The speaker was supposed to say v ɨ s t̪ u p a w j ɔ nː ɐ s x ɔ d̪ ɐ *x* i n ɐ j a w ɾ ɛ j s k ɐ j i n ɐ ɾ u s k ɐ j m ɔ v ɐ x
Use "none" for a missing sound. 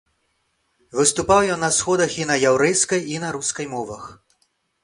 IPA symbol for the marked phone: x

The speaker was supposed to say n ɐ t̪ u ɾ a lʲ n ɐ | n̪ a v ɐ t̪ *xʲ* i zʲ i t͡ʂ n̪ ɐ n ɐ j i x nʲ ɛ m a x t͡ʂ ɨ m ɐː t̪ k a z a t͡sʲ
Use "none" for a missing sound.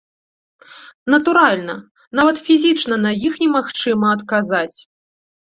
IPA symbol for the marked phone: fʲ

